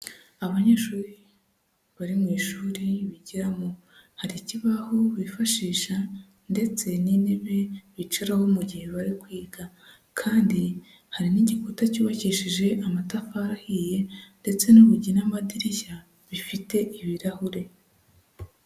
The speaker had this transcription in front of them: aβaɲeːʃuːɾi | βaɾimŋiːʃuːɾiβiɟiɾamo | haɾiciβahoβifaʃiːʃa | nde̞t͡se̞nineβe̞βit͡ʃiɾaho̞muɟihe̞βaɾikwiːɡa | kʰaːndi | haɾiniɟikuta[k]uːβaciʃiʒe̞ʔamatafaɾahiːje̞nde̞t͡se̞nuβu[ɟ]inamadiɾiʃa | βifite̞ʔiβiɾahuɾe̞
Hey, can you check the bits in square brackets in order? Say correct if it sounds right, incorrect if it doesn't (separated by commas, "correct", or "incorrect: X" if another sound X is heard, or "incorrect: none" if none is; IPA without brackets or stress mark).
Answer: incorrect: c, correct